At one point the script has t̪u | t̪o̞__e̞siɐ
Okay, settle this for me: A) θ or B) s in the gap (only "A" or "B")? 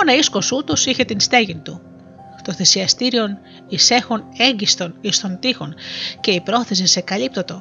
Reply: A